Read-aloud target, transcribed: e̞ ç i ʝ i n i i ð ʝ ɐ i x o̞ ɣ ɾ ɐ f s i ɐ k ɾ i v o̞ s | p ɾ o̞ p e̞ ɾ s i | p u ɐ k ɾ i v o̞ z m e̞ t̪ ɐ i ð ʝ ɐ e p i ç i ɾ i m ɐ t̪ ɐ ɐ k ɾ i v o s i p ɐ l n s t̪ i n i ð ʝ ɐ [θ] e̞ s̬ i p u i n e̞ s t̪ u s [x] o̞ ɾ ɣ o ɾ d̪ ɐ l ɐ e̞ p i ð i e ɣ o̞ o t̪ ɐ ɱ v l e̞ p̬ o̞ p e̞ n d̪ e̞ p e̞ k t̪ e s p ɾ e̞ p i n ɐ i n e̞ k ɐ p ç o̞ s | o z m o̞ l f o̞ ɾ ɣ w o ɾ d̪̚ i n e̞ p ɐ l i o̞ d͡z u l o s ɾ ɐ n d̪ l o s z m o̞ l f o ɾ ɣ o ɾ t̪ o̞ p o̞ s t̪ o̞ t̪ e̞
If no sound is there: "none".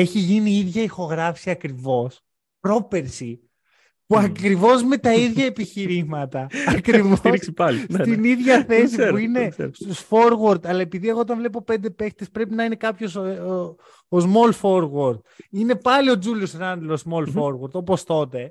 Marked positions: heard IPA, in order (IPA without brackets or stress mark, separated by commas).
θ, f